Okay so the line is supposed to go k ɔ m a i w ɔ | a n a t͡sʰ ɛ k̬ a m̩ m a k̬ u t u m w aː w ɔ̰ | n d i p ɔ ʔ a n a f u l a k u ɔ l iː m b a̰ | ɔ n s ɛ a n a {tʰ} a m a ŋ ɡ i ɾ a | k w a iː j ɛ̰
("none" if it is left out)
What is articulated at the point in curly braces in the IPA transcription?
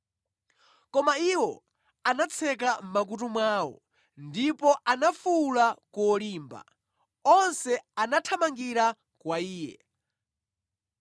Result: tʰ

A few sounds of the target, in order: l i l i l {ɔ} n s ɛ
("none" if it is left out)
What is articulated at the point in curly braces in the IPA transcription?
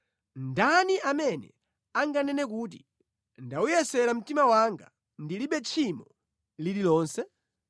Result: ɔː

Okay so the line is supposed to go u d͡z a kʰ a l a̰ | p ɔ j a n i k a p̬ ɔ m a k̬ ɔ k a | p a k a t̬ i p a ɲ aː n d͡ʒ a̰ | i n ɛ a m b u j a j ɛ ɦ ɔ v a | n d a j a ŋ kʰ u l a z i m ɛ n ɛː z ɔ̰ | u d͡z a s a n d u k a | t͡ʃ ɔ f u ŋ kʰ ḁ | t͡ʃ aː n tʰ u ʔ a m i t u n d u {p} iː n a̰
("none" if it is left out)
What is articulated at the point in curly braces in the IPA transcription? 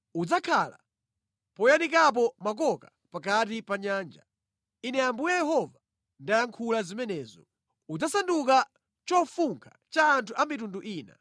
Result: ʔ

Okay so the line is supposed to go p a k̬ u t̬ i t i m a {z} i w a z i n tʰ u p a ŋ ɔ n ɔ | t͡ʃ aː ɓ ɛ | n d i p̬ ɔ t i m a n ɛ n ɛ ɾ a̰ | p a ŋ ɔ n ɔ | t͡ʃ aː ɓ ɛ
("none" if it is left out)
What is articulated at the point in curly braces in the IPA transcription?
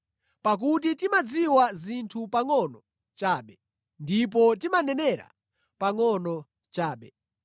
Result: d͡z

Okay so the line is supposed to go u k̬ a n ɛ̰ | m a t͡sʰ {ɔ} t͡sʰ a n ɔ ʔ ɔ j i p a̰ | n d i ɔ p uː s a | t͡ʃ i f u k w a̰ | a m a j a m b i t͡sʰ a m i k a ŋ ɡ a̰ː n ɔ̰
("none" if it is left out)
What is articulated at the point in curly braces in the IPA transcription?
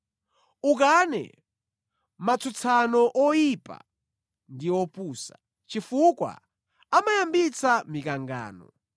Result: u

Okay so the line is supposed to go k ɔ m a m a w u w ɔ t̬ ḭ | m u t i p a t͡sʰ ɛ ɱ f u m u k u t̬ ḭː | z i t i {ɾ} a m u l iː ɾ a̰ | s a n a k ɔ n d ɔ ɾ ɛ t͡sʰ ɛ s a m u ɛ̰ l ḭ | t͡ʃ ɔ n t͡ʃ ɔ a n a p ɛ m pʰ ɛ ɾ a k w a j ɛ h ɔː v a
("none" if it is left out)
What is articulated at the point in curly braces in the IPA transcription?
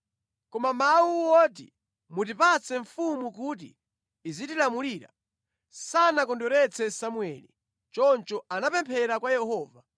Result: l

